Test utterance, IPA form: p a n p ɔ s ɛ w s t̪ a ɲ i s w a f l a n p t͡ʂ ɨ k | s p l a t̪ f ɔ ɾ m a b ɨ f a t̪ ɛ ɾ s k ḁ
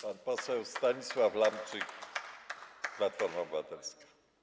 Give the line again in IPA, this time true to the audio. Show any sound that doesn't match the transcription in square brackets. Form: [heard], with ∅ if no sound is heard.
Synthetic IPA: p a n p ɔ s ɛ w s t̪ a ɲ i s w a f l a [m] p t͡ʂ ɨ k | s p l a t̪ f ɔ ɾ m a b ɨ [v] a t̪ ɛ [l] s k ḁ